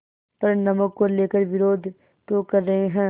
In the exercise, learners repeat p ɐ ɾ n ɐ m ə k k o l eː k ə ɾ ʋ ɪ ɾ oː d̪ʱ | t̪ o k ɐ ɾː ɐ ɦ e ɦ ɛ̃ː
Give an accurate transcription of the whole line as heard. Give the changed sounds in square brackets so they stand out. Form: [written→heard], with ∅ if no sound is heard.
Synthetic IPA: p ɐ ɾ n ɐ m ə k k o l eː k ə ɾ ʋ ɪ ɾ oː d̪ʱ | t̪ o k ɐ ɾː ɐ ɦ e ɦ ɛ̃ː